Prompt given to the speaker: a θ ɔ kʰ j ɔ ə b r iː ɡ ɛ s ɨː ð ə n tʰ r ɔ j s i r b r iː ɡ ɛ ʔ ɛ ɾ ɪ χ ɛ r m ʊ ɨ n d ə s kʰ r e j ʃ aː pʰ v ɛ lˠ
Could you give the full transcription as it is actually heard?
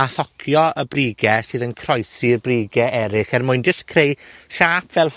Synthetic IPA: a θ ɔ kʰ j ɔ ə b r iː ɡ ɛ s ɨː ð ə n kʰ r ɔ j s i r b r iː ɡ ɛ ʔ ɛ ɾ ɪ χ ɛ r m ʊ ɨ n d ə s kʰ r e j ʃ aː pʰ v ɛ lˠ